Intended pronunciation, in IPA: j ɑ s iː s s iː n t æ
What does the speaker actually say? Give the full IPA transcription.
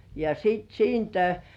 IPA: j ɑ s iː t s iː n t æ